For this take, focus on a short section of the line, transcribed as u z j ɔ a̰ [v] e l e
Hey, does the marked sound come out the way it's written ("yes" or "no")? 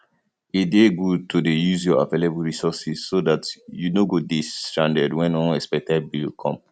yes